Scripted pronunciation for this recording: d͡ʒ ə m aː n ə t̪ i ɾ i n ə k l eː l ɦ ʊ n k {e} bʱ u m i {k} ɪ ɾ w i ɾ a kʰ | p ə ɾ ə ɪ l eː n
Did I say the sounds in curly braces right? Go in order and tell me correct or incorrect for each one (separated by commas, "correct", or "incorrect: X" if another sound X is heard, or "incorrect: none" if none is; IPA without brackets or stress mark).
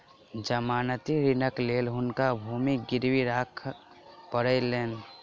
incorrect: a, incorrect: ɡ